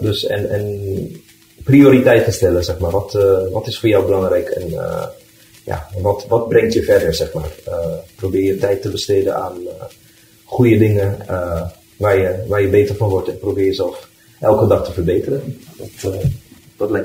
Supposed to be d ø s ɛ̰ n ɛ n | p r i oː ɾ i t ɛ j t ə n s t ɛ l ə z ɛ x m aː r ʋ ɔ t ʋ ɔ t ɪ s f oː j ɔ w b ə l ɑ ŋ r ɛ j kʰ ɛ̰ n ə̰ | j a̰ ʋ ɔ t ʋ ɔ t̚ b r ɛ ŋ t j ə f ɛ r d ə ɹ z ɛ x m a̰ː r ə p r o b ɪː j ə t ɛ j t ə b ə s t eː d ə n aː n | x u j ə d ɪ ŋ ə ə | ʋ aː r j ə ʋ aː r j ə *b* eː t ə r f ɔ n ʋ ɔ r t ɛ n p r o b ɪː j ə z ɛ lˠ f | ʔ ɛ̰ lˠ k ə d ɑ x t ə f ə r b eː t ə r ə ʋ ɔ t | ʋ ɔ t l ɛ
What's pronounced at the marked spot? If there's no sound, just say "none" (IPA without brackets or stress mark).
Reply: b